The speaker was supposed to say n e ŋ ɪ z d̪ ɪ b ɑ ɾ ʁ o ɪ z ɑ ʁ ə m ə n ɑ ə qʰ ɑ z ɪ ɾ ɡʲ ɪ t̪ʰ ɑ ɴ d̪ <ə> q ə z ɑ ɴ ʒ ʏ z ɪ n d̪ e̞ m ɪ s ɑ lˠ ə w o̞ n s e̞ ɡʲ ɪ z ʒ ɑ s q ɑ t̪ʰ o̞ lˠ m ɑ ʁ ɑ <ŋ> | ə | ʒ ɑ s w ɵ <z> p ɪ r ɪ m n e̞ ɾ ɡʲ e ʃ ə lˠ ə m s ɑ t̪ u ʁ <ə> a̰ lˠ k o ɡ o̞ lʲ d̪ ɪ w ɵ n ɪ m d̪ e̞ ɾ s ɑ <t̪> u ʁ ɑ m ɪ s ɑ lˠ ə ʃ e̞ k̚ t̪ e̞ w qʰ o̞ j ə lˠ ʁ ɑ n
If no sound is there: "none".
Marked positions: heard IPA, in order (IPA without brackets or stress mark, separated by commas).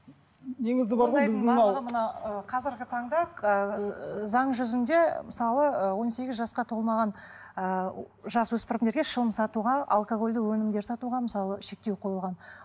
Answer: ɑ, n, s, ɑ, t̪